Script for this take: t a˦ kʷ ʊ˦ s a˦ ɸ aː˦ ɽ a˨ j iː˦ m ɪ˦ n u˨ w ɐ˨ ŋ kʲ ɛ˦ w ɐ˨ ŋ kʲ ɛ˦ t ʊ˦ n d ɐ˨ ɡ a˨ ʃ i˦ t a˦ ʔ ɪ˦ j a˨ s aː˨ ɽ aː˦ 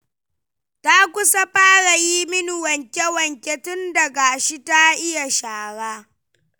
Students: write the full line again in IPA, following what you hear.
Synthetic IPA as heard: t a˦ kʷ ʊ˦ s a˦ ɸ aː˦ ɽ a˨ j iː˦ m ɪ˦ n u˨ w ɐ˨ ŋ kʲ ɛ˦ w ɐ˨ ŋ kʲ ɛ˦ t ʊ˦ n d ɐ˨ ɡ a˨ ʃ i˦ t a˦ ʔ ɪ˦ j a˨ ʃ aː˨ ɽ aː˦